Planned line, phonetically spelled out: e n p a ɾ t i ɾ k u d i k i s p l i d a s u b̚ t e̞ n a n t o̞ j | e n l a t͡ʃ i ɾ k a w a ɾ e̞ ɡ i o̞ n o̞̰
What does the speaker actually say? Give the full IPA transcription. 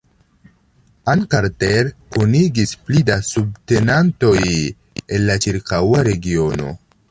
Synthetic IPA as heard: a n k a ɾ t e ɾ k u n i ɡ i s p l i d a s u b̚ t e̞ n a n t o̞ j | e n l a t͡ʃ i ɾ k a w a ɾ e̞ ɡ i o̞ n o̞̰